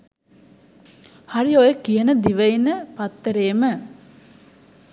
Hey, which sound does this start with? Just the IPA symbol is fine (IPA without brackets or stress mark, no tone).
h